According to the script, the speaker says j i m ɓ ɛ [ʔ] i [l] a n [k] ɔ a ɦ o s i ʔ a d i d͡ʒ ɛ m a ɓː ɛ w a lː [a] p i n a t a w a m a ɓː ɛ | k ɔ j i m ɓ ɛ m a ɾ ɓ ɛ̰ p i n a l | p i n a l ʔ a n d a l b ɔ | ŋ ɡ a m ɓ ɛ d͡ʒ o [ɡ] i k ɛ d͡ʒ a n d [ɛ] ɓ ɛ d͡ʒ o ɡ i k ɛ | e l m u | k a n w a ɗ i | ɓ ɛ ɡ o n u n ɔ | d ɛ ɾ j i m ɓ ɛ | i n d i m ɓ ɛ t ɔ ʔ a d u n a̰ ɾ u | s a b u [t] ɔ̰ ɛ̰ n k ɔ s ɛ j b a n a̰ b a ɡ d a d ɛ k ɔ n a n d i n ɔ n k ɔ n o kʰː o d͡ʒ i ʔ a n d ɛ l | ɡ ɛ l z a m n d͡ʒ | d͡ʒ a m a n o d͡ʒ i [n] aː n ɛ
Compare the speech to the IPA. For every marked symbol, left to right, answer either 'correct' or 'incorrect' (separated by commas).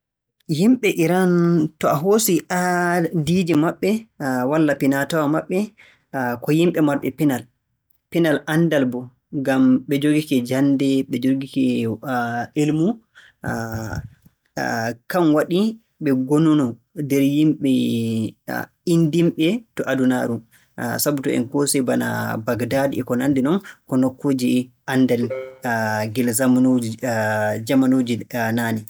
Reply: correct, incorrect, incorrect, correct, correct, correct, correct, correct